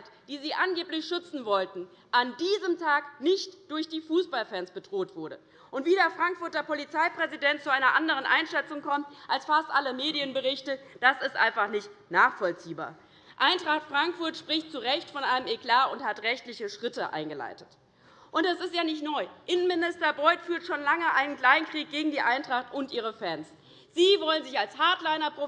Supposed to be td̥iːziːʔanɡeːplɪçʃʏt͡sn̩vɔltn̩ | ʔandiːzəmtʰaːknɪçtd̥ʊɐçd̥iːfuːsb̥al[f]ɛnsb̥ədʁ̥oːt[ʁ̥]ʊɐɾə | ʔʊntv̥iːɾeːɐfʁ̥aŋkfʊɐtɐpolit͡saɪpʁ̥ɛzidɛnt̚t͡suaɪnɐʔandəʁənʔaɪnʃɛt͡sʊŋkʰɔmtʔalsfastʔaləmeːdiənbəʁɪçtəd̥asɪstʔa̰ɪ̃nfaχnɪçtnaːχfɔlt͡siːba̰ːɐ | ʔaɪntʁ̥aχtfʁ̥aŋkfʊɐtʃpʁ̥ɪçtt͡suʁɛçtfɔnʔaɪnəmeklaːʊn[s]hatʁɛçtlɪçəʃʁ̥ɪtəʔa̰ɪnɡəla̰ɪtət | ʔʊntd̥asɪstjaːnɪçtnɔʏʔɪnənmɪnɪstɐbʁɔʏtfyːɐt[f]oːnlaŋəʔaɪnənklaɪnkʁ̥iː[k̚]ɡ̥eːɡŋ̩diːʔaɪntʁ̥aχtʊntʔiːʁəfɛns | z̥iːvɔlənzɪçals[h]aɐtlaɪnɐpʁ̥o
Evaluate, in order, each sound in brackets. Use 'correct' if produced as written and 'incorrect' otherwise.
correct, incorrect: v̥, incorrect: t, incorrect: ʃ, correct, correct

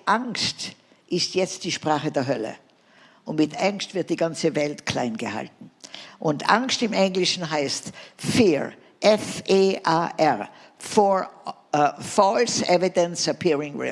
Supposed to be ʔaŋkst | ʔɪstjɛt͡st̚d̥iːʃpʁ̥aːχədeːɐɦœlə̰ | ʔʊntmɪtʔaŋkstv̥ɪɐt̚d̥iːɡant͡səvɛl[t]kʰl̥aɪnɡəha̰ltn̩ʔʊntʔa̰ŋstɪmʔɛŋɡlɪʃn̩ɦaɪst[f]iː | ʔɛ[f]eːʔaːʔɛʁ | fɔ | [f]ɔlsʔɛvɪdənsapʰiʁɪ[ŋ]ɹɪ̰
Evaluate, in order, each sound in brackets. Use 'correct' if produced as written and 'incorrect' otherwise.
correct, correct, correct, correct, correct

